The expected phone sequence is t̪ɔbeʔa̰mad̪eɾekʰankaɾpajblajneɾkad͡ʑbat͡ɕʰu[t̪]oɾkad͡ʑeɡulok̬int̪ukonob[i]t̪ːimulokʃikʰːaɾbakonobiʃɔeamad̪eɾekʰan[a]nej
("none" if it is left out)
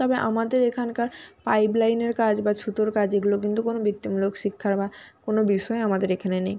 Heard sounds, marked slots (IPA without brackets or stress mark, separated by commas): t̪, i, e